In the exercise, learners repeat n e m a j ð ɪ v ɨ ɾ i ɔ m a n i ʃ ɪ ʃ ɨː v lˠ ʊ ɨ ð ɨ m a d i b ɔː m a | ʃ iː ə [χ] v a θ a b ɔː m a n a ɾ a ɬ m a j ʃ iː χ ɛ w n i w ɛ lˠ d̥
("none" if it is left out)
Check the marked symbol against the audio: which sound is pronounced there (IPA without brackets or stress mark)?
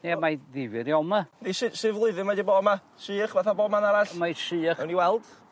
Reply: χ